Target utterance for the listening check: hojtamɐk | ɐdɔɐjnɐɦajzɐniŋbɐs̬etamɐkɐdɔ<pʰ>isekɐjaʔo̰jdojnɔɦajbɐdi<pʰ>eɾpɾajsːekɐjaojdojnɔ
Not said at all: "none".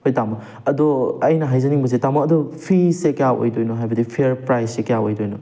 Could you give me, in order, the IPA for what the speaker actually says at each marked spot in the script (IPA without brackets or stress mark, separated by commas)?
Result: pʰ, pʰ